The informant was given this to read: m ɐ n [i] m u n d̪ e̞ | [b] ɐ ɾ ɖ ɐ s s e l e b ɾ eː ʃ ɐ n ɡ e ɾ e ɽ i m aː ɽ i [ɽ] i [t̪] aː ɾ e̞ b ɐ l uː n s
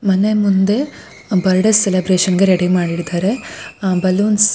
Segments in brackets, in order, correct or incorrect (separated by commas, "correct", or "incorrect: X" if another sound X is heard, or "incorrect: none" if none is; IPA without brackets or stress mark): incorrect: e, correct, correct, incorrect: d̪